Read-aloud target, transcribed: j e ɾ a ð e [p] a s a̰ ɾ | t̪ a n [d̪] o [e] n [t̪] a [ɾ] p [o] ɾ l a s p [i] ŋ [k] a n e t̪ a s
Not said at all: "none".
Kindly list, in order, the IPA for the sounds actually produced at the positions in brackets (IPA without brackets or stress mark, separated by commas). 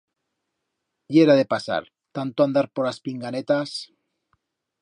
p, t̪, a, d̪, ɾ, o, i, ɡ